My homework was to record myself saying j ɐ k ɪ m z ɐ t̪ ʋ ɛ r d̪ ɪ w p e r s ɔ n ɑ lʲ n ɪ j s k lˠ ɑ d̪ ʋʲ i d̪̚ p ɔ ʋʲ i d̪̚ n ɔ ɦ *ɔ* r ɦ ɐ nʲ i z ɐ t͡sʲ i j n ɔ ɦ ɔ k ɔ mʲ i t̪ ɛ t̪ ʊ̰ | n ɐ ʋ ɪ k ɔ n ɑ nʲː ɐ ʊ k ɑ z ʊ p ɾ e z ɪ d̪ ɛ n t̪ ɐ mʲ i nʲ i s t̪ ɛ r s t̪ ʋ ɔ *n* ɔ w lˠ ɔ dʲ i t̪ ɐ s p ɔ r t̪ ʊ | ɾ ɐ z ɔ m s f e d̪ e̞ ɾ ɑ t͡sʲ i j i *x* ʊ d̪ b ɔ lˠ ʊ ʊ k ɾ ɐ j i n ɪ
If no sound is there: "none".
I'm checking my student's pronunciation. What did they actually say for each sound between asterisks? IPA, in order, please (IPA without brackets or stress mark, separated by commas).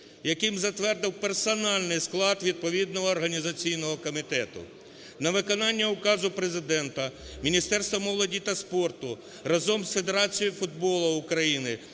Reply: ɔː, m, f